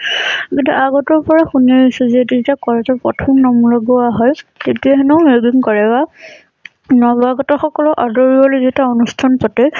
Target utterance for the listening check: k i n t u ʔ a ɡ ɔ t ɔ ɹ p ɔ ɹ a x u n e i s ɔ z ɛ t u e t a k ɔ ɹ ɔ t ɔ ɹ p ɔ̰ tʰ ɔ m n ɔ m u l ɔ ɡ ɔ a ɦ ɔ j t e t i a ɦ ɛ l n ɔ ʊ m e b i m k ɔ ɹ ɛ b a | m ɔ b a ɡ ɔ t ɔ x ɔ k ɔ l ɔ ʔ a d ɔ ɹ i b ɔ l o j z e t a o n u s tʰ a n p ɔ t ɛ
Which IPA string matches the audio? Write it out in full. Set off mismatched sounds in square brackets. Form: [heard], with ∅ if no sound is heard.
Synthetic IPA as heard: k i n t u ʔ a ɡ ɔ t ɔ ɹ p ɔ ɹ a x u n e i s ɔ z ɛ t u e t a k ɔ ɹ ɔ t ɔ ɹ p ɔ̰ tʰ ɔ m n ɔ m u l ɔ ɡ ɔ a ɦ ɔ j t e t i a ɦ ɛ [∅] n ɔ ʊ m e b i [ŋ] k ɔ ɹ ɛ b a | [n] ɔ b a ɡ ɔ t ɔ x ɔ k ɔ l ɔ ʔ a d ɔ ɹ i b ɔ l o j z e t a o n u s tʰ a n p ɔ t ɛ